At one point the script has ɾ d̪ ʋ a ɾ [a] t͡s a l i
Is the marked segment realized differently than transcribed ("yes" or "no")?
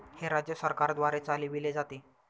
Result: yes